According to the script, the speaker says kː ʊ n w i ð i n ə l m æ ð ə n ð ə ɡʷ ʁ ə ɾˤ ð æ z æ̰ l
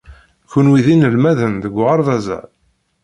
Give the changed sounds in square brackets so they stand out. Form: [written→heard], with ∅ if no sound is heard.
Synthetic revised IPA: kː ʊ n w i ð i n ə l m æ ð ə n ð ə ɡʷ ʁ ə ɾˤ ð æ z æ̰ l

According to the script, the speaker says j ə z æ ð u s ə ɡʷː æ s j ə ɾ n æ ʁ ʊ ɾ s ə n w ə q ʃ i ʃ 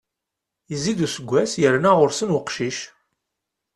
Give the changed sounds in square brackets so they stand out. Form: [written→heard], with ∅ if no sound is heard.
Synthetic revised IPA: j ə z [æ→i] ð u s ə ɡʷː æ s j ə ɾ n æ ʁ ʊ ɾ s ə n w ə q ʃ i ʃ

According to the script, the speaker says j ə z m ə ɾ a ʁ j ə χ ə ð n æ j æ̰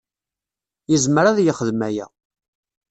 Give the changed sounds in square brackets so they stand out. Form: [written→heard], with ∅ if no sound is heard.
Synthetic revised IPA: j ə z m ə ɾ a [ʁ→ð] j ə χ ə ð [n→m] æ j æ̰

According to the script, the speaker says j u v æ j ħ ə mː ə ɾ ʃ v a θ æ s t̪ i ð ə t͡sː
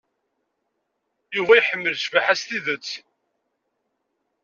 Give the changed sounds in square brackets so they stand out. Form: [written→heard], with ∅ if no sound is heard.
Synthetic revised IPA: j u v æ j ħ ə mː ə [ɾ→l] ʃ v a [θ→ħ] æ s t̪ i ð ə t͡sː

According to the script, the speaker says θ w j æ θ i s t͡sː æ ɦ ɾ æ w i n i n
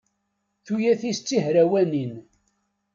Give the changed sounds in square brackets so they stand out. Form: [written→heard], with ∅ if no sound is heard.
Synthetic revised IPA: θ [w→u] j æ θ i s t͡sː [æ→i] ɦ ɾ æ w [i→æ] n i n

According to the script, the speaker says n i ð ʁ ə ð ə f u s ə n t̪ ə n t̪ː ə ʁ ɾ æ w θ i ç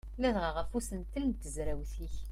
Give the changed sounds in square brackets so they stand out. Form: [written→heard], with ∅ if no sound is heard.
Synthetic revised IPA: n [i→æ] ð ʁ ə [ð→ʁ] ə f u s ə n t̪ ə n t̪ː ə [ʁ→z] ɾ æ w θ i ç

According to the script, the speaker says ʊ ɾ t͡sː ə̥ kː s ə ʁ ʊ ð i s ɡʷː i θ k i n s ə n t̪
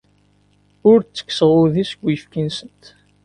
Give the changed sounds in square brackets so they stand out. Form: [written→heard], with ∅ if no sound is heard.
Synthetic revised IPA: ʊ ɾ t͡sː ə̥ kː s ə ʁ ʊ ð i s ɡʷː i [θ→f] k i n s ə n t̪

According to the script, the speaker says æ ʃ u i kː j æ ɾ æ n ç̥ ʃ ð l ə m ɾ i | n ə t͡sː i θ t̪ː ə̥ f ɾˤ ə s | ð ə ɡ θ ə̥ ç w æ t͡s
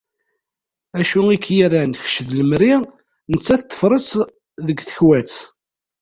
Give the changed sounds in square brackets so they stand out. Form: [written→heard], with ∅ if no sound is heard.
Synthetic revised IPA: æ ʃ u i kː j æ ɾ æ n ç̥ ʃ ð l ə m ɾ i | n ə t͡sː [i→æ] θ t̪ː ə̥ f ɾˤ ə s | ð ə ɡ θ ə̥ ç w æ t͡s

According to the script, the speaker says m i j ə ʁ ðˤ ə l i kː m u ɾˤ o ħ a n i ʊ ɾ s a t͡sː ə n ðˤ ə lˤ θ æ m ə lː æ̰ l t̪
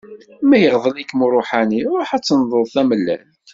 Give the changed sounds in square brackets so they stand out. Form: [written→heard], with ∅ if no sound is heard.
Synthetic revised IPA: m [i→æ] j ə ʁ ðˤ ə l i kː m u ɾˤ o ħ a n i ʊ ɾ [s→ħ] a t͡sː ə n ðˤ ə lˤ θ æ m ə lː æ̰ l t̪

